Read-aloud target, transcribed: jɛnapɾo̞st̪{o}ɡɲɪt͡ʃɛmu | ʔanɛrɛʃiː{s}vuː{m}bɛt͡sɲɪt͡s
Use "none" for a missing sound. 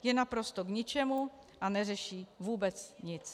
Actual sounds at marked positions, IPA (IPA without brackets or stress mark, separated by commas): o, none, none